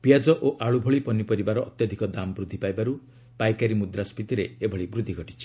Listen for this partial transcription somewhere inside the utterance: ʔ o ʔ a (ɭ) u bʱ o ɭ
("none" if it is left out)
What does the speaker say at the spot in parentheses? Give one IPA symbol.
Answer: ɭ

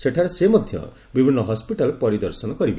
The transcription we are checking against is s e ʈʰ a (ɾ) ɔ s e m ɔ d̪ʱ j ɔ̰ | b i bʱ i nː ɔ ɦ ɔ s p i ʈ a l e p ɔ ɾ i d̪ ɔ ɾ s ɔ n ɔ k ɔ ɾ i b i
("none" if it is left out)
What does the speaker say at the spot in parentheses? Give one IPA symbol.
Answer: ɾ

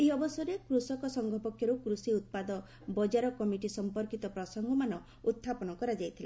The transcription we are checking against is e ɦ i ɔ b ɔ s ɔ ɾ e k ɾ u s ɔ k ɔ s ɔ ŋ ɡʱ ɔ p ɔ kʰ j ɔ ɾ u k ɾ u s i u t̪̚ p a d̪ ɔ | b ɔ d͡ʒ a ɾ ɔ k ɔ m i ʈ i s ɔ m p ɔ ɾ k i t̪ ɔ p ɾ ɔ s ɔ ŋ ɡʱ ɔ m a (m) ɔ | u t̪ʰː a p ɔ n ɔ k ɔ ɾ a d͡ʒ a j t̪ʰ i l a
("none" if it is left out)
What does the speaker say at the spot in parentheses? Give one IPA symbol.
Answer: n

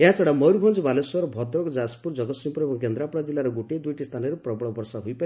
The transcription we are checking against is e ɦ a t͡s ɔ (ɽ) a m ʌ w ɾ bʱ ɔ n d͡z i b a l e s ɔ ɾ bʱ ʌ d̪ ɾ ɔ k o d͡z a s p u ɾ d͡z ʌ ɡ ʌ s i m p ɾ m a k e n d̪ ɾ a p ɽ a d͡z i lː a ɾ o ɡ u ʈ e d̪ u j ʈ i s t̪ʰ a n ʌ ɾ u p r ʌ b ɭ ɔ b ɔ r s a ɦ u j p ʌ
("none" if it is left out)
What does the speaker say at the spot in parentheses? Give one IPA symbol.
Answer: ɽ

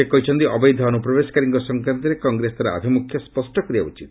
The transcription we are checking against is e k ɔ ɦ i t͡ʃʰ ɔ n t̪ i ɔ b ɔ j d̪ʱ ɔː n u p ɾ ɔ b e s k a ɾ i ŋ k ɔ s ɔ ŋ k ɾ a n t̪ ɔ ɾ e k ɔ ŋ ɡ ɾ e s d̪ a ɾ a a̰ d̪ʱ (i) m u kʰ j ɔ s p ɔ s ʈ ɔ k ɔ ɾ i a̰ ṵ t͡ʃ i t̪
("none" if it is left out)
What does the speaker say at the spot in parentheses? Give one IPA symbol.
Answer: i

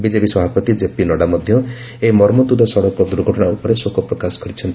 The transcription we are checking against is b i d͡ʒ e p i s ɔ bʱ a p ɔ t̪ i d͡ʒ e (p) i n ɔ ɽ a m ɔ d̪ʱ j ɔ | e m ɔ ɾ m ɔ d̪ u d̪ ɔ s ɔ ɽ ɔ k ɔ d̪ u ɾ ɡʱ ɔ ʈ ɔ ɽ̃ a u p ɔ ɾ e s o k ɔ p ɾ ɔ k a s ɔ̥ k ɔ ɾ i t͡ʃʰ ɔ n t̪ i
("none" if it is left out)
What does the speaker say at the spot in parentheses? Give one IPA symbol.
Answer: p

